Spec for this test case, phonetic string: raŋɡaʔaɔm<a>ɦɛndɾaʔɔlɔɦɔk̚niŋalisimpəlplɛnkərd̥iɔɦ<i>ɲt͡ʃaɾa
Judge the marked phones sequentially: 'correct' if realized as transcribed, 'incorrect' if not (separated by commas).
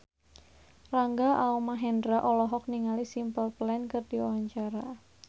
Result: correct, incorrect